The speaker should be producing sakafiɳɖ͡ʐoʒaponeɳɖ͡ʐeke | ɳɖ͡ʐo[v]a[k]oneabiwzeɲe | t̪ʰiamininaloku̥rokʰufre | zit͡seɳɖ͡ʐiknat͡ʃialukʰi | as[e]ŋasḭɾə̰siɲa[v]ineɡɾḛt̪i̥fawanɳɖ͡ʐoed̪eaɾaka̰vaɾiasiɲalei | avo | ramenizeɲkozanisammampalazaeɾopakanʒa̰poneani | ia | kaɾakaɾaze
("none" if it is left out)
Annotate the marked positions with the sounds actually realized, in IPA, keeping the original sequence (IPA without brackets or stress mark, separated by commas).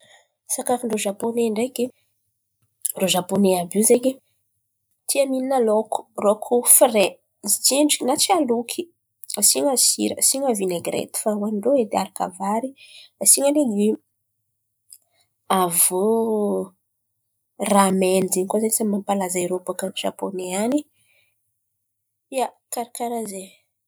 ʒ, p, i, v